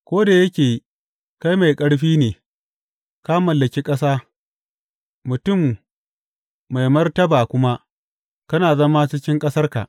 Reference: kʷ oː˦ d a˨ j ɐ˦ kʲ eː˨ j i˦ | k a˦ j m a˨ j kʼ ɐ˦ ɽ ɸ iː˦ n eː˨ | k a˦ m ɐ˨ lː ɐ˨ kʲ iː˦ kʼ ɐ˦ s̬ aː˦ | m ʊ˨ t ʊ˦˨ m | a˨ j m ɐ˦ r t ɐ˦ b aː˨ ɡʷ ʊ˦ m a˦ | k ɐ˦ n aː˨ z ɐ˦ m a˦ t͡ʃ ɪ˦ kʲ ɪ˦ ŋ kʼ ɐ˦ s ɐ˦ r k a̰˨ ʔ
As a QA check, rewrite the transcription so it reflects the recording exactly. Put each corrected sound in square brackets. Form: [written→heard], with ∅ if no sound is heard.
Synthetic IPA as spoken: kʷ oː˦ d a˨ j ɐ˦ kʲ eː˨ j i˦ | k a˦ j m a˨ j kʼ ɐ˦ ɽ ɸ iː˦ n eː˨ | k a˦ m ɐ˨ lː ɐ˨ kʲ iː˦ kʼ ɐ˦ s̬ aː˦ | m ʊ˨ t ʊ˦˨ m | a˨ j m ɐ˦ r t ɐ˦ b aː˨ [ɡʷ→kʷ] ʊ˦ m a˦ | k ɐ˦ n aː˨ z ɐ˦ m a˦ t͡ʃ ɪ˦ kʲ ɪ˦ ŋ kʼ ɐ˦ s ɐ˦ r k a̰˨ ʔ